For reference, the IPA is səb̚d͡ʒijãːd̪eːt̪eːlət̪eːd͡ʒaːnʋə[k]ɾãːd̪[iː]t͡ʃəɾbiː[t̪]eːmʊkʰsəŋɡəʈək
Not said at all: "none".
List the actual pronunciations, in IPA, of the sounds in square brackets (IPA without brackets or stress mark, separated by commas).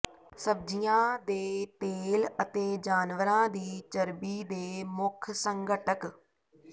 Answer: none, iː, d̪